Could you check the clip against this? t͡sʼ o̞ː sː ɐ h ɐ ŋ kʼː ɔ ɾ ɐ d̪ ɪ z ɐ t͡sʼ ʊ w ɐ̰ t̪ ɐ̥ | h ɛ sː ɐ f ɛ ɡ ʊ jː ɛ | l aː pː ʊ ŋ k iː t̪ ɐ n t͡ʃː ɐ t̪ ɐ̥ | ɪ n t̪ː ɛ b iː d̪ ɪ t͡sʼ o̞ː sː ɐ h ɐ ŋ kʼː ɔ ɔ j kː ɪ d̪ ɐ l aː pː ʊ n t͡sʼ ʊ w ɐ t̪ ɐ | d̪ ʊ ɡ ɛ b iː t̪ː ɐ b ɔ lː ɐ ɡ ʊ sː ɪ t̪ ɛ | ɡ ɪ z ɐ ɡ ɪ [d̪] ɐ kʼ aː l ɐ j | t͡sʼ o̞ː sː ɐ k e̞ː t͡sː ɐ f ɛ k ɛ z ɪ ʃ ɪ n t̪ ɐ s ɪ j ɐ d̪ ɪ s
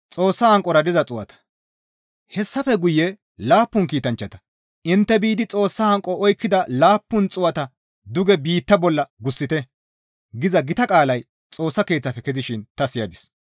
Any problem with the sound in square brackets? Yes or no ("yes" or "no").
yes